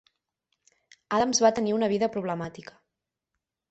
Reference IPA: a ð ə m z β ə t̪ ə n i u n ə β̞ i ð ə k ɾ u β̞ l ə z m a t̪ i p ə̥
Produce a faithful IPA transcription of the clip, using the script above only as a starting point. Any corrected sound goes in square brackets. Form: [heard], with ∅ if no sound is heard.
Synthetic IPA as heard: a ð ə m z β [a] t̪ ə n i u n ə β̞ i ð ə [p] ɾ u β̞ l ə [∅] m a t̪ i [k] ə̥